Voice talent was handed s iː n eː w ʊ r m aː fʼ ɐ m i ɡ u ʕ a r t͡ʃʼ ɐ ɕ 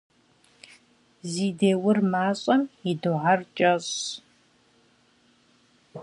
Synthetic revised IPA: z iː d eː w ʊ r m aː ɕʼ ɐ m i d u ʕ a r t͡ʃʼ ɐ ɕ